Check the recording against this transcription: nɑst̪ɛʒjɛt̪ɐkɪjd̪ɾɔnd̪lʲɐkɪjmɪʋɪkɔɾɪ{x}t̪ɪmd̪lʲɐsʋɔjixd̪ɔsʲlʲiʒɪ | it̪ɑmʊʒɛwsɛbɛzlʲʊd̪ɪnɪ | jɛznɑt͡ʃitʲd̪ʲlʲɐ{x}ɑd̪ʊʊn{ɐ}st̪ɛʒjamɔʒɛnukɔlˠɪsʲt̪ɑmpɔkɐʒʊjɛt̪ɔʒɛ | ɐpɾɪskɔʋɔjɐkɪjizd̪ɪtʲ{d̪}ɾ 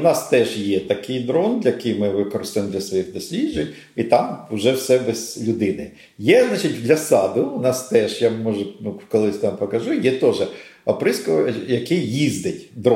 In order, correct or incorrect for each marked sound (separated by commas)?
incorrect, incorrect, incorrect, correct